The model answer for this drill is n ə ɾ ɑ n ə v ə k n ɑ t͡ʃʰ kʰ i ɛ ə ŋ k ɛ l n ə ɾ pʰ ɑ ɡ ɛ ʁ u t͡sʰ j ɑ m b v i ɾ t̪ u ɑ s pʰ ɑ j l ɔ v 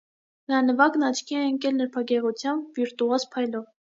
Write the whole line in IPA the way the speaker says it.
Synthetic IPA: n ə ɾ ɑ n ə v ɑ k n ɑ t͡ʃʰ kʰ i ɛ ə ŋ k ɛ l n ə ɾ pʰ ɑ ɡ ɛ ʁ u t͡sʰ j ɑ m b v i ɾ t̪ u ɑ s pʰ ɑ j l ɔ v